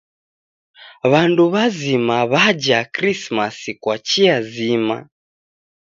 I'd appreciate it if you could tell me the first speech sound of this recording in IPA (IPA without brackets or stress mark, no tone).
β